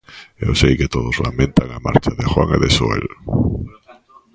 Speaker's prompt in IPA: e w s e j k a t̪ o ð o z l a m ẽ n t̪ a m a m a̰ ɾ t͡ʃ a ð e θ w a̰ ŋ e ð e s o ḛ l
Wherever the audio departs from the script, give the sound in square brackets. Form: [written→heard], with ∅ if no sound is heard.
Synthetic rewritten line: e w s e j k [a→e] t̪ o ð o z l a m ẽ n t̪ a [m→ŋ] a m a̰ ɾ t͡ʃ a ð e [θ→x] w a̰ ŋ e ð e s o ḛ l